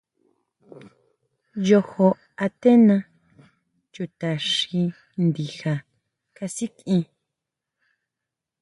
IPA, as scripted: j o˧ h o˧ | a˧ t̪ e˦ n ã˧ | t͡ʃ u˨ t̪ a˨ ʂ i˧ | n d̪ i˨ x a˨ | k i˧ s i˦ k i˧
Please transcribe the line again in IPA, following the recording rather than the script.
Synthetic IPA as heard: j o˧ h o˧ | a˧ t̪ e˦ n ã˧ | t͡ʃ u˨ t̪ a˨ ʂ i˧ | n d̪ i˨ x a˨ | k a˧ s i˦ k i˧

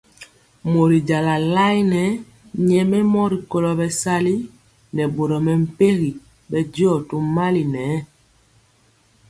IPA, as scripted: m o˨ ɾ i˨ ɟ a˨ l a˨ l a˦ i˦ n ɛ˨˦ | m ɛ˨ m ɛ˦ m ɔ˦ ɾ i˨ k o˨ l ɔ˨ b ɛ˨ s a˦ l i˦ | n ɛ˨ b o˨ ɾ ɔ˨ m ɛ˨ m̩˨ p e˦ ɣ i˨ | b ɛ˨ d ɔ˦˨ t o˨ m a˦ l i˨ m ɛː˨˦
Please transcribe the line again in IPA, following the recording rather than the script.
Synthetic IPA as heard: m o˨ ɾ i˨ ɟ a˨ l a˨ l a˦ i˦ n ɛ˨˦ | ɲ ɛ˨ m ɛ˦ m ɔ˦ ɾ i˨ k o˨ l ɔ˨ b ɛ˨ s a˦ l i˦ | n ɛ˨ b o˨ ɾ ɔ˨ m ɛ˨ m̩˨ p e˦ ɣ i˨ | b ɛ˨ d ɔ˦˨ t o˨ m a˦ l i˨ n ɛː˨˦

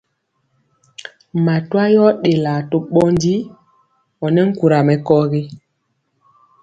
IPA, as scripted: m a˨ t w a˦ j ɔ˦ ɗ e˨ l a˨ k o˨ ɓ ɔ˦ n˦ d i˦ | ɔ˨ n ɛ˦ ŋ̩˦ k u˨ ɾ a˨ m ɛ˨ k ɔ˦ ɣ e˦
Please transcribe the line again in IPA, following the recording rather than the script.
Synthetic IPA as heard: m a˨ t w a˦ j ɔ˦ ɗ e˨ l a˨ t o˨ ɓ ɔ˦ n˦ d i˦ | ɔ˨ n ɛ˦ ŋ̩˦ k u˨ ɾ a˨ m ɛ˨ k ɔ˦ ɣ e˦

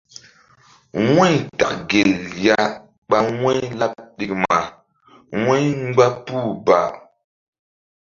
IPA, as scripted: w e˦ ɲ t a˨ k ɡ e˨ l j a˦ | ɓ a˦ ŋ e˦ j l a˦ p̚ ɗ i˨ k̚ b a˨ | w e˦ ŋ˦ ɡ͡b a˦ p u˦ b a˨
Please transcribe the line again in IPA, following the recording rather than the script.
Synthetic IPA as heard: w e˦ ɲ t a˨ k ɡ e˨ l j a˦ | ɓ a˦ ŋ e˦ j l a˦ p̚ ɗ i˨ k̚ m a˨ | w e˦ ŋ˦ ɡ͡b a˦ p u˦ b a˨

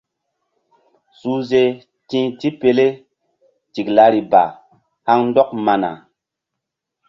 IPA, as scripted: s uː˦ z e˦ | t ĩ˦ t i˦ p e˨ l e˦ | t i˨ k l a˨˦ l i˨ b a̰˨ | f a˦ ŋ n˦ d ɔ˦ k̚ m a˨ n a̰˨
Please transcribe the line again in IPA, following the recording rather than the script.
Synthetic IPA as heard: s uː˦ z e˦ | t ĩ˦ t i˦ p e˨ l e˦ | t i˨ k l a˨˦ ɾ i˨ b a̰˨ | h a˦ ŋ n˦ d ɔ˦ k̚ m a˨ n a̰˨

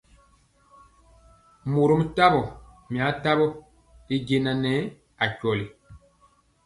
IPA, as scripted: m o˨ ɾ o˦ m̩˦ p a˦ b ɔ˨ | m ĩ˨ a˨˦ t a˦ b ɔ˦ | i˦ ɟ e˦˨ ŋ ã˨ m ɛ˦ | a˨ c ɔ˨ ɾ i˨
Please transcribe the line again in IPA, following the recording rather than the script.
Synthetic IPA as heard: m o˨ ɾ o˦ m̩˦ t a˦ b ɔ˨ | m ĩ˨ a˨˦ t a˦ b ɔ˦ | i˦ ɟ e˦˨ n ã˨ n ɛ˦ | a˨ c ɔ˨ l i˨

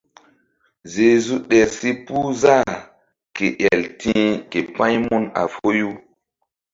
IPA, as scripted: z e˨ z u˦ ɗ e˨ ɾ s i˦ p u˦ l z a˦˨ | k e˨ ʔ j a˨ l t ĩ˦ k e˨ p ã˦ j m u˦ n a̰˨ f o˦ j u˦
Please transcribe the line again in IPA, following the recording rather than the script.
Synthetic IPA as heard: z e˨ z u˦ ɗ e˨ ɾ s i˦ p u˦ z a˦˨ | k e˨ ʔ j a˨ l t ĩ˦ k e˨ p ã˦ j m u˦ n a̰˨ f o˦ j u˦

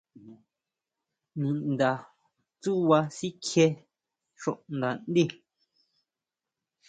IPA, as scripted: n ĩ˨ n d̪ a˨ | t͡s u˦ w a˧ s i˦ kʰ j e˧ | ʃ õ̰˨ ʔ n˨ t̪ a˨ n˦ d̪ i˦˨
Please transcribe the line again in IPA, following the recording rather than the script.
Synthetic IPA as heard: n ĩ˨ n d̪ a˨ | t͡s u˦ w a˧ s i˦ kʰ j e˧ | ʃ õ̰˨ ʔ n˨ d̪ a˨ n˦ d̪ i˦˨

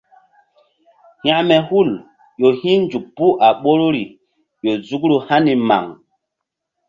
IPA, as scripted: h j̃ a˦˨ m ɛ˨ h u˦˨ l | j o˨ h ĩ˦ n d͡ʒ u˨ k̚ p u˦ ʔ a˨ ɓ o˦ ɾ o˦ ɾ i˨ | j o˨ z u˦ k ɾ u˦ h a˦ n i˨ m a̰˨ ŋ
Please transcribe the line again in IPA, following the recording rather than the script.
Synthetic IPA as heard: h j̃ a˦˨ m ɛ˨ h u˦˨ l | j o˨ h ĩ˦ n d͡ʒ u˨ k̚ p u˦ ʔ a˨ ɓ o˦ ɾ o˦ ɾ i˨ | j o˨ z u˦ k ɾ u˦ h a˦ n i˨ m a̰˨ ŋ

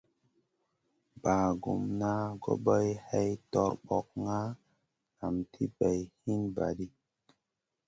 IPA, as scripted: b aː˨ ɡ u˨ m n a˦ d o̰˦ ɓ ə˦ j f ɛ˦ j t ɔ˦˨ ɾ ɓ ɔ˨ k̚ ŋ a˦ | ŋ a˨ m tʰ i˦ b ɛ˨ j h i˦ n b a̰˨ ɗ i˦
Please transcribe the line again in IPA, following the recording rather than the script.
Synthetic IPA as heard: b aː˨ ɡ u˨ m n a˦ ɡ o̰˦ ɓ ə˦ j h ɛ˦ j t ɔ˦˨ ɾ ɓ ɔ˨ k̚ ŋ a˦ | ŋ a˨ m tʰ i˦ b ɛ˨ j h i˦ n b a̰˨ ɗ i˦

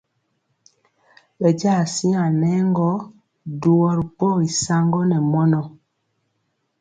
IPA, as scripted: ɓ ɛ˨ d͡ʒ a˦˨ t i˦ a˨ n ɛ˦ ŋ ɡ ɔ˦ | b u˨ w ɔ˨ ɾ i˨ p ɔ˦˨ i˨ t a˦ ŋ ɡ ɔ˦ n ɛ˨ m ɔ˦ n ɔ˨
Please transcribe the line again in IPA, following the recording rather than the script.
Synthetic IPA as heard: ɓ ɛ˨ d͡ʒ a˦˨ s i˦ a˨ n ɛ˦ ŋ ɡ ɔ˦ | d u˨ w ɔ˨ ɾ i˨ p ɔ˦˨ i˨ s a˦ ŋ ɡ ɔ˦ n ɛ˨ m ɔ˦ n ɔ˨

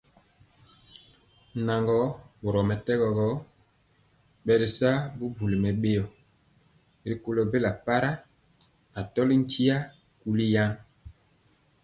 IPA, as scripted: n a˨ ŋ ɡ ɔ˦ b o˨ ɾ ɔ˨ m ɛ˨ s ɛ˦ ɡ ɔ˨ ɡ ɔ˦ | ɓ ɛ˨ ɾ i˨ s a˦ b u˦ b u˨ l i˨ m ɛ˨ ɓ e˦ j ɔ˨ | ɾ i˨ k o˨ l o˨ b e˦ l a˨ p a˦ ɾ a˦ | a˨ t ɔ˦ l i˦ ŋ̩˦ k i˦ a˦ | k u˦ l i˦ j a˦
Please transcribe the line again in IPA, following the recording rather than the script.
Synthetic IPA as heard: n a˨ ŋ ɡ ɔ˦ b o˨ ɾ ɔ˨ m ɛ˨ t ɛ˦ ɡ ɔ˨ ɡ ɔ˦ | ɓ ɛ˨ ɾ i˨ s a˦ b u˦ b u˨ l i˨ m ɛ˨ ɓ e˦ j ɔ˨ | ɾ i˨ k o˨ l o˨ b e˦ l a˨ p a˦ ɾ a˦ | a˨ t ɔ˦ l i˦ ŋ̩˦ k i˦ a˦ | k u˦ l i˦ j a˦

